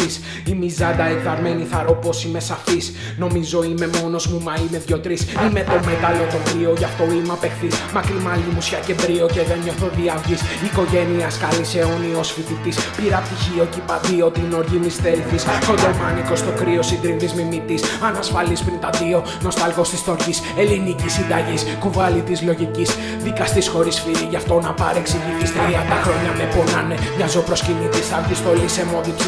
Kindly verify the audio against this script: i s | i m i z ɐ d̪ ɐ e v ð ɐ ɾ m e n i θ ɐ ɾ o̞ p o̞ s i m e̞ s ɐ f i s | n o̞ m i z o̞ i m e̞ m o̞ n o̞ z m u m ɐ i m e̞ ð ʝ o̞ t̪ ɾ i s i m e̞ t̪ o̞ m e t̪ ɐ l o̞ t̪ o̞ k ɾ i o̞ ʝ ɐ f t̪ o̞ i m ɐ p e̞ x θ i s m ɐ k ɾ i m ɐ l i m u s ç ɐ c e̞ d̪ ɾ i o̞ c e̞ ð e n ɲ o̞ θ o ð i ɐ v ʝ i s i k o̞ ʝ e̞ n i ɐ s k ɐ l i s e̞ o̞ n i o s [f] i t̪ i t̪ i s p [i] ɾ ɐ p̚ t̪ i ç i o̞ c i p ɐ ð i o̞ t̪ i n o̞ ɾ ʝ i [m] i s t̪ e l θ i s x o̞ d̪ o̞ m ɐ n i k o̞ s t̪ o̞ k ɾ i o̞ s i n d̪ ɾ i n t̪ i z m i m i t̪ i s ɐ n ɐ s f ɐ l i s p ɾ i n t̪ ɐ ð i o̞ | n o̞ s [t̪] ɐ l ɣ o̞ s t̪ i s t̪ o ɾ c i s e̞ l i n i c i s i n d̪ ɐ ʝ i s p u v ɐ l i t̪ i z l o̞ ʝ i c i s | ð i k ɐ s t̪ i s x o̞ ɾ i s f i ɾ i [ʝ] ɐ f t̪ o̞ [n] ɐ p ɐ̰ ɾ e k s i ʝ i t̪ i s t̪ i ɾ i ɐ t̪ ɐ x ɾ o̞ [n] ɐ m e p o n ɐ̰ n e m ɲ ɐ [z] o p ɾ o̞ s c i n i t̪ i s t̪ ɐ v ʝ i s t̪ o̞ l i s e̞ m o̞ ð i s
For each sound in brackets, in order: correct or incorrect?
correct, correct, correct, correct, correct, correct, incorrect, correct

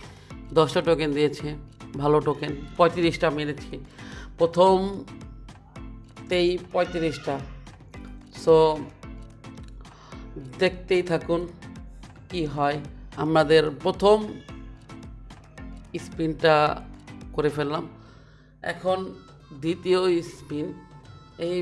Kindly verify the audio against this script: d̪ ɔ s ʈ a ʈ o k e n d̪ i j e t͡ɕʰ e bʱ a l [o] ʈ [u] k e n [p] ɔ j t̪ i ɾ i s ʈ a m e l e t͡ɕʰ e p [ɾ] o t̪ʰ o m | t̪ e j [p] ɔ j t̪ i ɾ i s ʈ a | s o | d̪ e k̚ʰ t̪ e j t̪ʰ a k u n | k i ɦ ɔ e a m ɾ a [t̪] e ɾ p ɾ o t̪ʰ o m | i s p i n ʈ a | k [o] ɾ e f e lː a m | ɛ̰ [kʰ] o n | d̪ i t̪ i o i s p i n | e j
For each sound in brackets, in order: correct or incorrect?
correct, incorrect, correct, correct, correct, incorrect, correct, correct

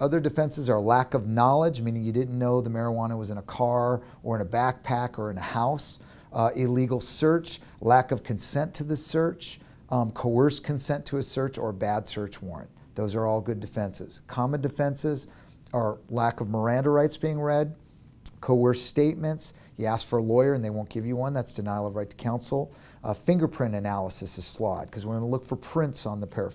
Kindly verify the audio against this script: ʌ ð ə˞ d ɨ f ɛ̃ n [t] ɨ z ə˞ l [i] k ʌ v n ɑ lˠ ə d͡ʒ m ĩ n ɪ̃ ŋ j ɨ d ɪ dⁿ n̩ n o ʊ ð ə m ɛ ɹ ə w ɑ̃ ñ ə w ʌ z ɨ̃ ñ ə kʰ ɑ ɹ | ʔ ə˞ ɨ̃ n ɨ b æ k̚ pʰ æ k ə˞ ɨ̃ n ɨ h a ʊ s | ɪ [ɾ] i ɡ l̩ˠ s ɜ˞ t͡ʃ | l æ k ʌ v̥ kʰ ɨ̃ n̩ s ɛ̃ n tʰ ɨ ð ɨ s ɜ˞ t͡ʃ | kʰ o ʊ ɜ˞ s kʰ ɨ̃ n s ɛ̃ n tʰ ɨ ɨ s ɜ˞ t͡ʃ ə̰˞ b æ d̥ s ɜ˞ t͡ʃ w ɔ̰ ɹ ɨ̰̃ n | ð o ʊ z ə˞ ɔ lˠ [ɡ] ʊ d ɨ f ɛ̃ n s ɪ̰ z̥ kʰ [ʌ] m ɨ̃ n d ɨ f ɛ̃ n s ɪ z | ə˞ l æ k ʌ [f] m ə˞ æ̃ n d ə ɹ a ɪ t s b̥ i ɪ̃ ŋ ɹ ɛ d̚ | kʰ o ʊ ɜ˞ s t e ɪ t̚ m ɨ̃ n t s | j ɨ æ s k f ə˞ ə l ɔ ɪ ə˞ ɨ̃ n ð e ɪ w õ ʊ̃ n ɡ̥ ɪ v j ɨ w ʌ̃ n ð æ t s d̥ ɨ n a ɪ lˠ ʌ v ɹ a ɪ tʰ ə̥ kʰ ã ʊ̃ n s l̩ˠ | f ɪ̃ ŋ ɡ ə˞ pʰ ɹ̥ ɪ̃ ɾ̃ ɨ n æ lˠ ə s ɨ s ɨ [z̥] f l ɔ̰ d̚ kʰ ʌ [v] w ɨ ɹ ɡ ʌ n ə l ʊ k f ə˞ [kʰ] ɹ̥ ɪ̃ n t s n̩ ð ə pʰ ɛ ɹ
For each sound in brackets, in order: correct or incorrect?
incorrect, incorrect, incorrect, correct, incorrect, incorrect, correct, incorrect, incorrect

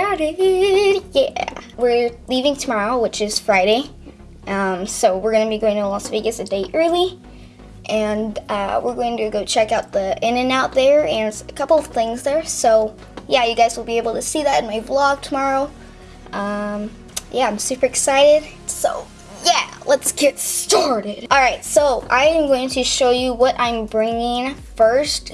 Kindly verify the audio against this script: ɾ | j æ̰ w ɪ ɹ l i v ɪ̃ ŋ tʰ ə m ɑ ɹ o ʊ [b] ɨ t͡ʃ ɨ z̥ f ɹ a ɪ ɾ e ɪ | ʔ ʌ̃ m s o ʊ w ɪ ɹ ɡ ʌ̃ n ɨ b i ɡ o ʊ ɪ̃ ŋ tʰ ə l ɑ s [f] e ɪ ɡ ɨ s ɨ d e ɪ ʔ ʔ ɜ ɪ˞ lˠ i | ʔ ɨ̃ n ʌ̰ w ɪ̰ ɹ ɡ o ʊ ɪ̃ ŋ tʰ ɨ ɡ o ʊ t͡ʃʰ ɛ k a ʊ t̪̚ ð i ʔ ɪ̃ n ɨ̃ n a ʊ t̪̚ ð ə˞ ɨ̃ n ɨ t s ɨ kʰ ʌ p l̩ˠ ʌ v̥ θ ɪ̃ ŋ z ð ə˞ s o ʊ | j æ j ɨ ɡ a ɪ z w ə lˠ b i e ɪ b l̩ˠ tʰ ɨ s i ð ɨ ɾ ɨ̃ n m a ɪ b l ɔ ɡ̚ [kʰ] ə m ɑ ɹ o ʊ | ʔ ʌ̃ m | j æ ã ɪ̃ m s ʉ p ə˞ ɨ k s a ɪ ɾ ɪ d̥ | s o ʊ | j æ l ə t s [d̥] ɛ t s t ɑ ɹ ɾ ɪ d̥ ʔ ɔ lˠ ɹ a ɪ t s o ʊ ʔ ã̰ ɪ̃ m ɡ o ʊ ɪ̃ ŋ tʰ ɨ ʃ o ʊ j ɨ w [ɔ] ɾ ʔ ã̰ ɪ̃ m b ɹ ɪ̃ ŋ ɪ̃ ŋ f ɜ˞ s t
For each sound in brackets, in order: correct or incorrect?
incorrect, incorrect, incorrect, incorrect, incorrect

